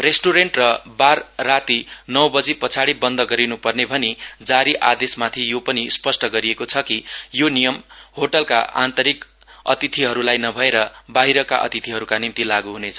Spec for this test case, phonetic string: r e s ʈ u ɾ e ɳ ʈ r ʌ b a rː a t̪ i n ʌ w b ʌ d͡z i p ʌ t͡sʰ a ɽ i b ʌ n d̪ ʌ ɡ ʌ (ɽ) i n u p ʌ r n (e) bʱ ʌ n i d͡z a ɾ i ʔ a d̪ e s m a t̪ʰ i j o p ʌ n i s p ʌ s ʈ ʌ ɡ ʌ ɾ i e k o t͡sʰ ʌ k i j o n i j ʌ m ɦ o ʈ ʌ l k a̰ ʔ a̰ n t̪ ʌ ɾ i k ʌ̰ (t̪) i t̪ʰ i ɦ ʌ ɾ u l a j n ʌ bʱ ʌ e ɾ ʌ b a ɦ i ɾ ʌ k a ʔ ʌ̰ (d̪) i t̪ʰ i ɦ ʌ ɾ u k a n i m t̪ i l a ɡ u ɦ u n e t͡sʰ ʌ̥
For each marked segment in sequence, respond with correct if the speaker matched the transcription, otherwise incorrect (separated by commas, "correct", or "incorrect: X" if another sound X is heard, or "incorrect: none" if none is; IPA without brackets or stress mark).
incorrect: ɾ, correct, correct, incorrect: t̪